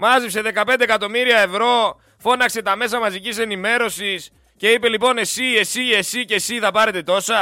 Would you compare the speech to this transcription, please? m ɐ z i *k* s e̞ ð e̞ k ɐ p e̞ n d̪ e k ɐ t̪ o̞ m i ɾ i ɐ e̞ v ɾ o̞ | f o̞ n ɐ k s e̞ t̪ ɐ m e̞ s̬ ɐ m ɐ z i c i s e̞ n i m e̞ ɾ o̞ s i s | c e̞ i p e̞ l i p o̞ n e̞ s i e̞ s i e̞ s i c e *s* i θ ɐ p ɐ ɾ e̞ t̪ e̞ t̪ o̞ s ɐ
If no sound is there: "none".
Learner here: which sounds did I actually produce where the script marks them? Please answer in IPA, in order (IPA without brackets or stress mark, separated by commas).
p, s